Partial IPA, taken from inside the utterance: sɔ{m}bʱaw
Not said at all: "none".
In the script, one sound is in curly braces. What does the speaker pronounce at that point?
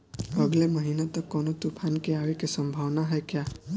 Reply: m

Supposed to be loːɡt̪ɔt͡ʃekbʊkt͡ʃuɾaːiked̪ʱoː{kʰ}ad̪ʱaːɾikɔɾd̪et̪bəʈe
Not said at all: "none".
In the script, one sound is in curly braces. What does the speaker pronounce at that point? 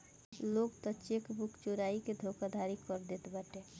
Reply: k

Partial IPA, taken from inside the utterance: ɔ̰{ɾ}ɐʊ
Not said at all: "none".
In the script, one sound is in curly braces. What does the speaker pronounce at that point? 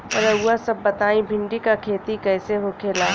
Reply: ɾ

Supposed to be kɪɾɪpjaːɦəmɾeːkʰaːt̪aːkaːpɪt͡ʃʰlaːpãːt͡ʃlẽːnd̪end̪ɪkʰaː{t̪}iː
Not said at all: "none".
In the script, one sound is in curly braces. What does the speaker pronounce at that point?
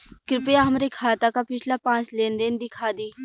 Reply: d̪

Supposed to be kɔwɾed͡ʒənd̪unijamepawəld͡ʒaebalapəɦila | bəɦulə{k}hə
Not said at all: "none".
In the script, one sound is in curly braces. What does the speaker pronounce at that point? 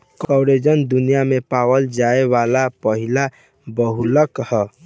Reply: k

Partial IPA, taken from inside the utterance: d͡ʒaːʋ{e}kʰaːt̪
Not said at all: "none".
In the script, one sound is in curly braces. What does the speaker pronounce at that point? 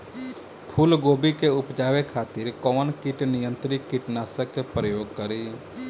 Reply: e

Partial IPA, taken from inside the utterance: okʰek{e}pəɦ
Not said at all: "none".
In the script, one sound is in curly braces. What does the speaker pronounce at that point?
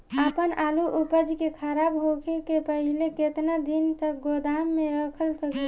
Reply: e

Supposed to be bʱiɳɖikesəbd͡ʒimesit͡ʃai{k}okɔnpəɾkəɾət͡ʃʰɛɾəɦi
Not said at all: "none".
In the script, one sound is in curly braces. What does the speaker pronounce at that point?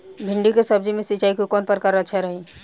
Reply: k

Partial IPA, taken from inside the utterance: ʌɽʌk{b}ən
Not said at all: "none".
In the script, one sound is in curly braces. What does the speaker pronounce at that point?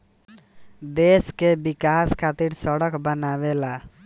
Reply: b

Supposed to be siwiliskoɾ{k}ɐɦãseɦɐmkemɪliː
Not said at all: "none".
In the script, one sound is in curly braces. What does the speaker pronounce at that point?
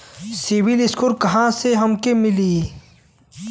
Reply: k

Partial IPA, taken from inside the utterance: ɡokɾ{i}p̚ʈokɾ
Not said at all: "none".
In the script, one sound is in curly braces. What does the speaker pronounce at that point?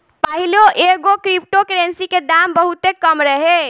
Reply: i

